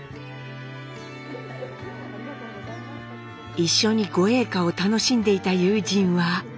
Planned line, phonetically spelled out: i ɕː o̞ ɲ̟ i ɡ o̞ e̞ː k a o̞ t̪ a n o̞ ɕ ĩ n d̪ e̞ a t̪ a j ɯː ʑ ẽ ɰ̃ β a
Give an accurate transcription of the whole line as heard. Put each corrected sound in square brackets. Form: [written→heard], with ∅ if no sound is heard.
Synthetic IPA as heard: i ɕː o̞ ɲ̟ i ɡ o̞ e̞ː k a o̞ t̪ a n o̞ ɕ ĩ n d̪ e̞ [a→i] t̪ a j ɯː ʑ [ẽ→ĩ] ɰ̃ β a

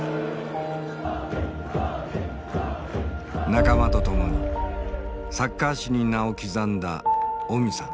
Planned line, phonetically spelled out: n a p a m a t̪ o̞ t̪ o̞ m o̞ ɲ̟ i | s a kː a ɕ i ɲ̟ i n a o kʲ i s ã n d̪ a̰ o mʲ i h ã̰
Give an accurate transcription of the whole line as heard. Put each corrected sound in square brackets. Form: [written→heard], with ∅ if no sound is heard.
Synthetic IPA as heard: n a [p→k] a m a t̪ o̞ t̪ o̞ m o̞ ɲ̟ i | s a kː a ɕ i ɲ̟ i n a o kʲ i [s→z] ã n d̪ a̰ o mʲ i [h→s] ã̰

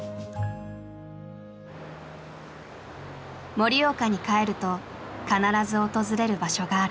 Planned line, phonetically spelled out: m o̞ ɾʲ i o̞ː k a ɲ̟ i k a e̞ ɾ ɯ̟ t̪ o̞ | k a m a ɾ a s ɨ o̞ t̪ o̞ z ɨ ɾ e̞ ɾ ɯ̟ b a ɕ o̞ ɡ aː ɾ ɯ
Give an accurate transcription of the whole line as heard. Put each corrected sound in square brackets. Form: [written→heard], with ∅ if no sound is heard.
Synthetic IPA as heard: m o̞ ɾʲ i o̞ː k a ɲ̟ i k a e̞ ɾ ɯ̟ t̪ o̞ | k a [m→n] a ɾ a [s→z] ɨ o̞ t̪ o̞ z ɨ ɾ e̞ ɾ ɯ̟ b a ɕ o̞ ɡ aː ɾ ɯ

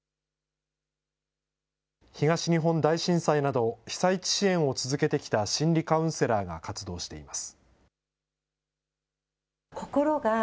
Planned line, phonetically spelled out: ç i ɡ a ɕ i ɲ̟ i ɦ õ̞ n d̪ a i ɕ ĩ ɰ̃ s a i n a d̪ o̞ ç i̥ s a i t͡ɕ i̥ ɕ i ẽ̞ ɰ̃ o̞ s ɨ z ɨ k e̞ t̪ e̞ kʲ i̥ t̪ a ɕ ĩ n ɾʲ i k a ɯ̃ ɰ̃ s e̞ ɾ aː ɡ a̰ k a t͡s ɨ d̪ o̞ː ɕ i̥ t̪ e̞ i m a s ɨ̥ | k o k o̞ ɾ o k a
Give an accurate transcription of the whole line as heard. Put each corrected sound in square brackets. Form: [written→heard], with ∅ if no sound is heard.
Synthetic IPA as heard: ç i ɡ a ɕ i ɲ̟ i ɦ õ̞ n d̪ a i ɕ ĩ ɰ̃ s a i n a d̪ o̞ ç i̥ s a i t͡ɕ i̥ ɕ i ẽ̞ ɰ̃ o̞ [s→t͡s] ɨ z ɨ k e̞ t̪ e̞ kʲ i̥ t̪ a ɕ ĩ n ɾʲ i k a ɯ̃ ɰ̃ s e̞ ɾ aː ɡ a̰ k a t͡s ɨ d̪ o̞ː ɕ i̥ t̪ e̞ i m a s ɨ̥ | k o k o̞ ɾ o [k→ɡ] a

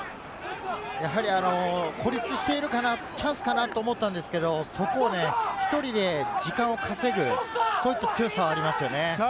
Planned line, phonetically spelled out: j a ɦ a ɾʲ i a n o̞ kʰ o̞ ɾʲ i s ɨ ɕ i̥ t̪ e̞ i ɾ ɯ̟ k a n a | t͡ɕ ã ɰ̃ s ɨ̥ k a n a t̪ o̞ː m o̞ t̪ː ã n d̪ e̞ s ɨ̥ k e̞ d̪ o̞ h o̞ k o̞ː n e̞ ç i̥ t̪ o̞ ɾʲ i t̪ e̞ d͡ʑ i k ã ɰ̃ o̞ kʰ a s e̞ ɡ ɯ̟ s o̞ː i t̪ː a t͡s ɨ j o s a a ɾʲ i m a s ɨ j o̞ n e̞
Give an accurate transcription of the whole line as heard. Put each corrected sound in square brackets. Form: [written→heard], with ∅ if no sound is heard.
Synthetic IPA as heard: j a ɦ a ɾʲ i a n o̞ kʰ o̞ ɾʲ i [s→t͡s] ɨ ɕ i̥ t̪ e̞ i ɾ ɯ̟ k a n a | t͡ɕ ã ɰ̃ s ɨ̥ k a n a t̪ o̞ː m o̞ t̪ː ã n d̪ e̞ s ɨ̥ k e̞ d̪ o̞ [h→s] o̞ k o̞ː n e̞ ç i̥ t̪ o̞ ɾʲ i [t̪→d̪] e̞ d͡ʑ i k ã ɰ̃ o̞ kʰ a s e̞ ɡ ɯ̟ s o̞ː i t̪ː a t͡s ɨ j o s a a ɾʲ i m a s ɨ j o̞ n e̞

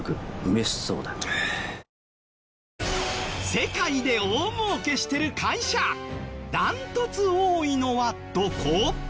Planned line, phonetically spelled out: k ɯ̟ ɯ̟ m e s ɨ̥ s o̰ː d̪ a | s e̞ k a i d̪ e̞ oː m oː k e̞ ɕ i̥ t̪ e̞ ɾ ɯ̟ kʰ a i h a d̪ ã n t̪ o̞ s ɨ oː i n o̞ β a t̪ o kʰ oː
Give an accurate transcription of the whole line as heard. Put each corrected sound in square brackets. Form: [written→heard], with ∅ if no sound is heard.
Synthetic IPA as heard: k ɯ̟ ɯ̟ m e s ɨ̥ s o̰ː d̪ a | s e̞ k a i d̪ e̞ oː m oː k e̞ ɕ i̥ t̪ e̞ ɾ ɯ̟ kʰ a i [h→ɕ] a d̪ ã n t̪ o̞ [s→t͡s] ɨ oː i n o̞ β a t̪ o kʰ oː

